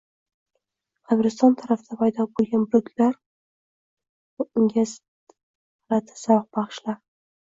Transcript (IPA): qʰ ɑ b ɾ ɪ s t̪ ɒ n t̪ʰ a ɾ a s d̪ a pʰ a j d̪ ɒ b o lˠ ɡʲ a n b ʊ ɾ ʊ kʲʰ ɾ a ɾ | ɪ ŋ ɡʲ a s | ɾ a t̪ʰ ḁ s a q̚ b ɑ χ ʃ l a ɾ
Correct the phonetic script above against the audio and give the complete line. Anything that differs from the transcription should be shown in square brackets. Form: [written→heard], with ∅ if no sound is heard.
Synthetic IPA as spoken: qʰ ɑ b ɾ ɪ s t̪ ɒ n t̪ʰ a ɾ a [s→f] d̪ a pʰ a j d̪ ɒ b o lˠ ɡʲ a n b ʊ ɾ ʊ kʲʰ [ɾ→l] a ɾ | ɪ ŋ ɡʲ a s | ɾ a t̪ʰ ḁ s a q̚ b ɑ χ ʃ l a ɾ